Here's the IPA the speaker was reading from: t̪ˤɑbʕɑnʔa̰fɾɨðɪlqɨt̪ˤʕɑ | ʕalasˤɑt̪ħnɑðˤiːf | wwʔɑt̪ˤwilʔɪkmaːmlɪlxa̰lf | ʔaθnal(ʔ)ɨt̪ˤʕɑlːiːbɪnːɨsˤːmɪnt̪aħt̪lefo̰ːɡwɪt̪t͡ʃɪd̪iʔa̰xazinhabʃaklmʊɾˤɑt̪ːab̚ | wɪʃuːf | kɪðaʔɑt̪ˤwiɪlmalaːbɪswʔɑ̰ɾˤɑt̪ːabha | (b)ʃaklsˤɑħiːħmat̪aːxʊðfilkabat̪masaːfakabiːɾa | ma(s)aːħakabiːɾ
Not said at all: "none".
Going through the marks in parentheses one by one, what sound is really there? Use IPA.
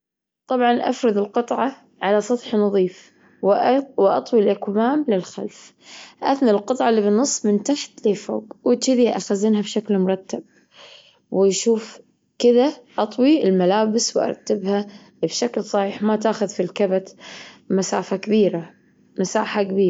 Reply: q, b, s

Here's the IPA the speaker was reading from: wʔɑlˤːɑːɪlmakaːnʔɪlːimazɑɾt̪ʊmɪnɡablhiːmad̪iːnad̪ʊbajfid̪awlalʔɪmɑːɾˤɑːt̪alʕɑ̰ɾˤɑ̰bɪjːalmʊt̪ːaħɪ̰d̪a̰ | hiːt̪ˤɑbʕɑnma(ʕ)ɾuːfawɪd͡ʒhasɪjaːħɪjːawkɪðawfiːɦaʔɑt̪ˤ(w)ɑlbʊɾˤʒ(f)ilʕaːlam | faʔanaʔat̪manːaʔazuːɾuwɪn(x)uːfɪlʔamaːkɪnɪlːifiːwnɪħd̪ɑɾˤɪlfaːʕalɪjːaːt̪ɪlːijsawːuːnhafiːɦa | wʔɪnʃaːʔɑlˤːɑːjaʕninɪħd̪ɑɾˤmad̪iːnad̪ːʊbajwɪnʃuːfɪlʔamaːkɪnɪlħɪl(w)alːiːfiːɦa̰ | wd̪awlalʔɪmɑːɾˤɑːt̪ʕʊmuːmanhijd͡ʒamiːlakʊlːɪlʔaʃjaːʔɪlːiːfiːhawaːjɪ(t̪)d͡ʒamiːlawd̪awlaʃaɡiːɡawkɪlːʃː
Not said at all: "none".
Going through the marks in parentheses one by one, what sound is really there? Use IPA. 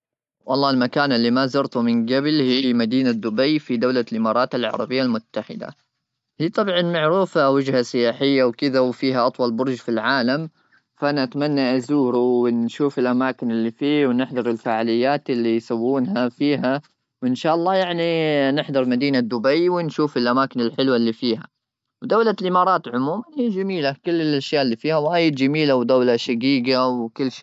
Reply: ʕ, w, f, ʃ, w, d̪

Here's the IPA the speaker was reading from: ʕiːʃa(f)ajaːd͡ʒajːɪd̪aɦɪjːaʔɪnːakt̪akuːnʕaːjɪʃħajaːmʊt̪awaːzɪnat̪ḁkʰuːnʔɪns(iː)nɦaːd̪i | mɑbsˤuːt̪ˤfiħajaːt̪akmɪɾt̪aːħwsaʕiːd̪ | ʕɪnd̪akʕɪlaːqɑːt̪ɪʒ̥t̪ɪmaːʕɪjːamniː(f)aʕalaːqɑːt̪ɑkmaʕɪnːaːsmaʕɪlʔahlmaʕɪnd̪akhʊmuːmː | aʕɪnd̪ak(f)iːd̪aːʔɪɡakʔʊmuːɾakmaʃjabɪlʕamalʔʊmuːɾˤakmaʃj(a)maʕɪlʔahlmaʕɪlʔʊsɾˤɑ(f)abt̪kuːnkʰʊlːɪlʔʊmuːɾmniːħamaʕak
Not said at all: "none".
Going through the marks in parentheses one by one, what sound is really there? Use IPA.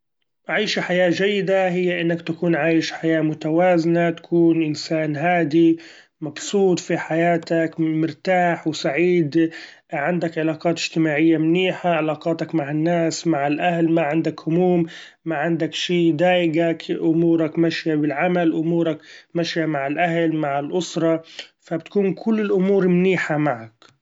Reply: ħ, aː, ħ, ʃ, a, f

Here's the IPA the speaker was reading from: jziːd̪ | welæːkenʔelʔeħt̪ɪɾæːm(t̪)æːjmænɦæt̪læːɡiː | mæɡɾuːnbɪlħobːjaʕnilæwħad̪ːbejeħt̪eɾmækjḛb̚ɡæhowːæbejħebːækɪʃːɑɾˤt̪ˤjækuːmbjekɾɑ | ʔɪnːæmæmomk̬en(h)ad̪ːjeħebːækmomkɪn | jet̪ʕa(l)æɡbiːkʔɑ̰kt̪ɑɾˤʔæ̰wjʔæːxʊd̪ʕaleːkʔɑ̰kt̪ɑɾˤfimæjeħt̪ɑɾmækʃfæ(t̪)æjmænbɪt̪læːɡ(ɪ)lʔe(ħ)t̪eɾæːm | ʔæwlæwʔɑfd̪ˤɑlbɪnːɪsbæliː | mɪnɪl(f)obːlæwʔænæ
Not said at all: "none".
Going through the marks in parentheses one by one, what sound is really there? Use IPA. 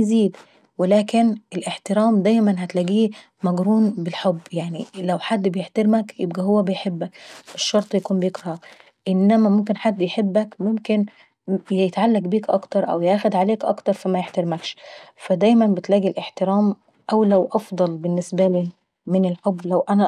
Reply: d̪, ħ, lː, d̪, i, ħ, ħ

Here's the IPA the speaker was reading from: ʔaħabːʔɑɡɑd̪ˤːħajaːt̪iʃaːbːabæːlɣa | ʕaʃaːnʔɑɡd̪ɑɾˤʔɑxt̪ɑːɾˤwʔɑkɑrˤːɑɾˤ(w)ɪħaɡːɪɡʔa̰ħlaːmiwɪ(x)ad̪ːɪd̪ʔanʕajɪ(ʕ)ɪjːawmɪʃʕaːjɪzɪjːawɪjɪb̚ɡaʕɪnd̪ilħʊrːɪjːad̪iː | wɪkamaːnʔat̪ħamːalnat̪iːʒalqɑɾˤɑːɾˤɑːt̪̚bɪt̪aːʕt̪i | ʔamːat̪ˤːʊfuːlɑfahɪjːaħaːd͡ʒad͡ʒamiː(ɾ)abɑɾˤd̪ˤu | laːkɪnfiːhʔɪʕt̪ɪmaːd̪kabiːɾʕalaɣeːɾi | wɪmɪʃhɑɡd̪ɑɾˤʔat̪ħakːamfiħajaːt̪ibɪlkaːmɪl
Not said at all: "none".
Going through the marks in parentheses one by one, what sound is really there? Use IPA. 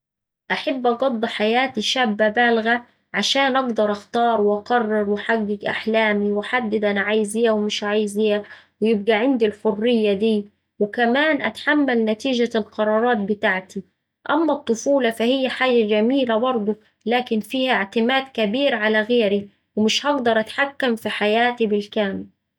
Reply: w, ħ, z, l

